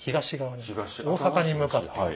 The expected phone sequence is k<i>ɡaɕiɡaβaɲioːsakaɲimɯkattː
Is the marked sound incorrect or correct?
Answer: correct